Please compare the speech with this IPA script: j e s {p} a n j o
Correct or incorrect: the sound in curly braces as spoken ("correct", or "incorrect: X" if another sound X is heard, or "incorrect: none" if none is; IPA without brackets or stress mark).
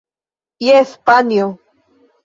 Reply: correct